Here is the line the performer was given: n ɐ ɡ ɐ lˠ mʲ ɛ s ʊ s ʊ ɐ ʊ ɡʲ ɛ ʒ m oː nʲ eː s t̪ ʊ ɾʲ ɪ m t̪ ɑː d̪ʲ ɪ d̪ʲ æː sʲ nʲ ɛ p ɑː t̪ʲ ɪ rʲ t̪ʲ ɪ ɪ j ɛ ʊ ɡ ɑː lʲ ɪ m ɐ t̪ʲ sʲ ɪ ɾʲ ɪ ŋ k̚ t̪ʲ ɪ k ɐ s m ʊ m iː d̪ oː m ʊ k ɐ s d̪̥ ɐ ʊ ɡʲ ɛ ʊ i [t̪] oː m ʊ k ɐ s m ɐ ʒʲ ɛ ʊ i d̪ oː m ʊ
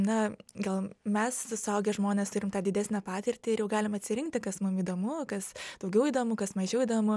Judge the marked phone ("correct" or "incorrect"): incorrect